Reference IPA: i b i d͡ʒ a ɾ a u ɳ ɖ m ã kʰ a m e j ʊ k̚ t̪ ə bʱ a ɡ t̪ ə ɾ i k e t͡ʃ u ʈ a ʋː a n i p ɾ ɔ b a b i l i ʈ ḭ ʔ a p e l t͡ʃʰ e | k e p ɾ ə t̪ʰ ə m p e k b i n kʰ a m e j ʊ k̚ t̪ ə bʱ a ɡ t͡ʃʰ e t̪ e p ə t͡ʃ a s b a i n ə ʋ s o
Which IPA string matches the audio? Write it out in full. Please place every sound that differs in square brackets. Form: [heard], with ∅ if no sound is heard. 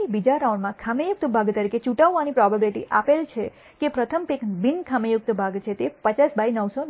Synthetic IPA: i b i d͡ʒ a ɾ a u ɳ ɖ m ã kʰ a m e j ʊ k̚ t̪ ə bʱ a ɡ t̪ ə ɾ i k e t͡ʃ u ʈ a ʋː a n i p ɾ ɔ b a b i l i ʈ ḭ ʔ a p e l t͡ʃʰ e | k e p ɾ ə t̪ʰ ə m p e k b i n kʰ a m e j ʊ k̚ t̪ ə bʱ a ɡ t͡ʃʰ e t̪ e p ə t͡ʃ a s b a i n ə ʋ s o